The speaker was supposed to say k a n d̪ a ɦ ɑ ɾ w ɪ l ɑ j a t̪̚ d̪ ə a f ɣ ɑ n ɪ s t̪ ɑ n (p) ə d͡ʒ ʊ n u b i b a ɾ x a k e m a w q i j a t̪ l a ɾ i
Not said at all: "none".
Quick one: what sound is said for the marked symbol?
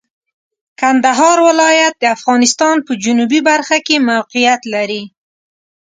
p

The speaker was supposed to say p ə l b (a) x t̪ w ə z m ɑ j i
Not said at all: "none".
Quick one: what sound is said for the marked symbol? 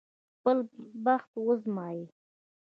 a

